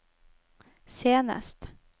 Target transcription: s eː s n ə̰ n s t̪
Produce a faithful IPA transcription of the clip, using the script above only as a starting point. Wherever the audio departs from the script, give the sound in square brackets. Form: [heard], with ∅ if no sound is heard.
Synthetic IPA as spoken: s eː [∅] n ə̰ [∅] s t̪